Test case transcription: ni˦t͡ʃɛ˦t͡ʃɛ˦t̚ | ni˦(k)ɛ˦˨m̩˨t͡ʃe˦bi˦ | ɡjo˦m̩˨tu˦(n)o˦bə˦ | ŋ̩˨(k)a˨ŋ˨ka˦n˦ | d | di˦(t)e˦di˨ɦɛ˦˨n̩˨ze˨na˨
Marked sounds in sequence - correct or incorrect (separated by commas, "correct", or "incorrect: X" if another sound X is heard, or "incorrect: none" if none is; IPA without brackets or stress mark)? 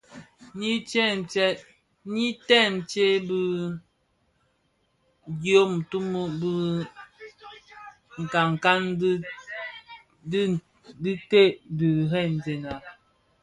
incorrect: t, incorrect: m, correct, correct